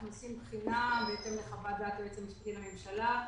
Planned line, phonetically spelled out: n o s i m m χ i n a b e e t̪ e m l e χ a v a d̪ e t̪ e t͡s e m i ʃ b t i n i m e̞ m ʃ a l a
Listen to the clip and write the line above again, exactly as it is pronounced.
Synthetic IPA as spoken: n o s i m b χ i n a b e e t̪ e m l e χ a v a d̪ a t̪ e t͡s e m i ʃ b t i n a m e̞ m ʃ a l a

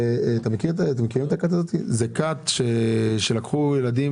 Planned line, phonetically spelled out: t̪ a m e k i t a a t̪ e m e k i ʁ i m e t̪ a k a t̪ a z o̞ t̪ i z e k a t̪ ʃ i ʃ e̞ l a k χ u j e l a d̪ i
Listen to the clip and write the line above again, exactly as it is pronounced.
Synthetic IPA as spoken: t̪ a m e k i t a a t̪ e m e k i ʁ i m e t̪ a k a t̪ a z o̞ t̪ i z e k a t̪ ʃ e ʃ e̞ l a k χ u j e l a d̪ i

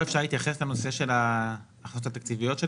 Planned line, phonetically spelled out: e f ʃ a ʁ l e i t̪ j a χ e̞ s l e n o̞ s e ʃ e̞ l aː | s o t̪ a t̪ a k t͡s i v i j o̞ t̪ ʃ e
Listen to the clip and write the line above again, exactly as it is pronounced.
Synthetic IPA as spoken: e f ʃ a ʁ l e i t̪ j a χ e̞ s l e n o̞ s e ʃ e̞ l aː | χ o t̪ a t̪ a k t͡s i v i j o̞ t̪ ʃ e

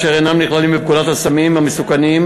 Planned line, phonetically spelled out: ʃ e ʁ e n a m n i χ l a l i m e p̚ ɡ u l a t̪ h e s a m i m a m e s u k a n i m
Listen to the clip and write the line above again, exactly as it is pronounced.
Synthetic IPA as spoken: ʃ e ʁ e n a m n i χ l a l i m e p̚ k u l a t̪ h a s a m i m a m e s u k a n i m

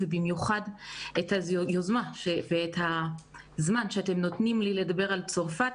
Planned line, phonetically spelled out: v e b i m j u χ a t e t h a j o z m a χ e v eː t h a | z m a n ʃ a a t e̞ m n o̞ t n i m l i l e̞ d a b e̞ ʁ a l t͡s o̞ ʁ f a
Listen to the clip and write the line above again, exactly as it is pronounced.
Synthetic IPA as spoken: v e b i m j u χ a d e t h a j o z m a ʃ e v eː t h a | z m a n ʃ e a t e̞ m n o̞ t n i m l i l e̞ d a b e̞ ʁ a l t͡s o̞ ʁ f a

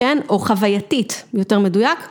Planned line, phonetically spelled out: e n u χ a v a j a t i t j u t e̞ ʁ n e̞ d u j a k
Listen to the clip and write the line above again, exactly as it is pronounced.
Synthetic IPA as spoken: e n o χ a v a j a t i t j o t e̞ ʁ m e̞ d u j a k

